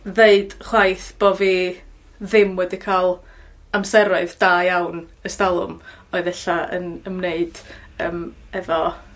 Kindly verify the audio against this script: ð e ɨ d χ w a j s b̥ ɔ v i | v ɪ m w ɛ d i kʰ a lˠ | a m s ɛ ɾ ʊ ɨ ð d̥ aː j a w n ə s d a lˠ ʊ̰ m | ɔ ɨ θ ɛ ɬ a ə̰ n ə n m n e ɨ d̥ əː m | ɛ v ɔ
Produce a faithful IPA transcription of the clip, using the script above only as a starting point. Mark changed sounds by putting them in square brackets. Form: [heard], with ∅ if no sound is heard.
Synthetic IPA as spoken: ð e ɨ d χ w a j [θ] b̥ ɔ v i | [ð] ɪ m w ɛ d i kʰ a lˠ | a m s ɛ ɾ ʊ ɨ ð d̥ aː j a w n ə s [t] a lˠ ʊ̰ m | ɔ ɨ [ð] ɛ ɬ a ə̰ n ə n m n e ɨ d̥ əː m | ɛ v ɔ